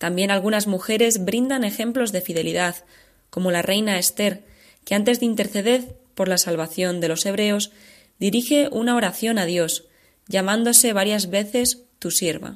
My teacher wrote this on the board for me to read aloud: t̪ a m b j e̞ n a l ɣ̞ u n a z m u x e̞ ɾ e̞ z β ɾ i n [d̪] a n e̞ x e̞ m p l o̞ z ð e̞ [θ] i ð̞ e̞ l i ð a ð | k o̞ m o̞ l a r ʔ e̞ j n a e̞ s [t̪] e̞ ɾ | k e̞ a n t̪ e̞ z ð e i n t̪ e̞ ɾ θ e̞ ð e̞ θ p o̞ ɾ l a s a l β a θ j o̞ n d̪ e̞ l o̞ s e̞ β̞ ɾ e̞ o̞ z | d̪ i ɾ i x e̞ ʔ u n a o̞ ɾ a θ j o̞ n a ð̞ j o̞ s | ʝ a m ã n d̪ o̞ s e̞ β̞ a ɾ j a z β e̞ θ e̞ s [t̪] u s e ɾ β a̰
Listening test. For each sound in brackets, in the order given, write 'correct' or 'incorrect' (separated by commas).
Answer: correct, incorrect, correct, correct